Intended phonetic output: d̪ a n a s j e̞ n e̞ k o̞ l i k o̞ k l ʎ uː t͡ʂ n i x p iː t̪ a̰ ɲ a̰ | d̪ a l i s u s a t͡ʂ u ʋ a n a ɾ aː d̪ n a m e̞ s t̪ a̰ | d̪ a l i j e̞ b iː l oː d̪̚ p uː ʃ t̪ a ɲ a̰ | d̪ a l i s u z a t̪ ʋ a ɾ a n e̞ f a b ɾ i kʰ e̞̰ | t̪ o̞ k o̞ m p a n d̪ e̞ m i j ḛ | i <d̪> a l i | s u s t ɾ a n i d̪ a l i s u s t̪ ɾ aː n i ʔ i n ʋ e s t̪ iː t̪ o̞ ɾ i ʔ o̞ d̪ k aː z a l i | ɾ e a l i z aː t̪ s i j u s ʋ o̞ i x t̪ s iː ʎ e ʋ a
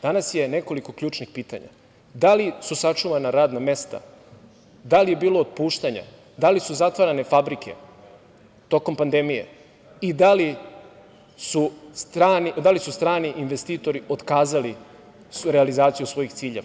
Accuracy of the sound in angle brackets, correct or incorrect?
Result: correct